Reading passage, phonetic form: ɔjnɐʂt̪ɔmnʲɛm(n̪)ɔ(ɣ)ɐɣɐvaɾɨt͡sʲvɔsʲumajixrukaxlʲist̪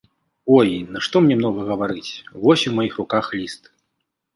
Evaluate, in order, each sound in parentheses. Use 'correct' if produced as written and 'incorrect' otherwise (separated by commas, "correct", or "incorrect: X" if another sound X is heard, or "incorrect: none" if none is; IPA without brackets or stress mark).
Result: correct, correct